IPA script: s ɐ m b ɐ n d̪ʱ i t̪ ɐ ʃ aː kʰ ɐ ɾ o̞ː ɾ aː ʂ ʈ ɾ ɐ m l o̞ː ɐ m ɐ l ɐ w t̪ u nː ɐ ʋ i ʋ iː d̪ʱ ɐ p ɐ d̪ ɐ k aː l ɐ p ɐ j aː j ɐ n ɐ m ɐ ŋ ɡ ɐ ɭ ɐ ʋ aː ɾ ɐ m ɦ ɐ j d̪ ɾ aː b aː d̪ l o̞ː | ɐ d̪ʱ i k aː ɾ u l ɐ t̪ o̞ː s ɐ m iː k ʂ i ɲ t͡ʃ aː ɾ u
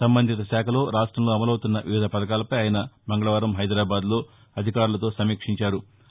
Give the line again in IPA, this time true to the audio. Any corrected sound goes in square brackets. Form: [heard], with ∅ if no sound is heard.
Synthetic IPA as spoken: s ɐ m b ɐ n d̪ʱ i t̪ ɐ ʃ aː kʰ ɐ [l] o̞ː ɾ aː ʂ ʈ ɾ ɐ m l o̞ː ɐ m ɐ l ɐ w t̪ u nː ɐ ʋ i ʋ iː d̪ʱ ɐ p ɐ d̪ ɐ k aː l ɐ p ɐ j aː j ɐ n ɐ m ɐ ŋ ɡ ɐ ɭ ɐ ʋ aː ɾ ɐ m ɦ ɐ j d̪ ɾ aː b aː d̪ l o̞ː | ɐ d̪ʱ i k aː ɾ u l ɐ t̪ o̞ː s ɐ m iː k ʂ i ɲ t͡ʃ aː ɾ u